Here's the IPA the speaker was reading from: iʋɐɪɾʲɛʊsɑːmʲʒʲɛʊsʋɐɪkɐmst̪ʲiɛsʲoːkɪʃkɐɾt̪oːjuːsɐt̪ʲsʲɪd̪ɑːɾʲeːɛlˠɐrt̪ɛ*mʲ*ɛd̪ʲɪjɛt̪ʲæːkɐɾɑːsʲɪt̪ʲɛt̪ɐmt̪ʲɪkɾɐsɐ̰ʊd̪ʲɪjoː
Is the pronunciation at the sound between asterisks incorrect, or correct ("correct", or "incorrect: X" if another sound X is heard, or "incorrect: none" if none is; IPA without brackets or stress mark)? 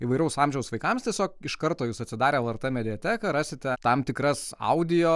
correct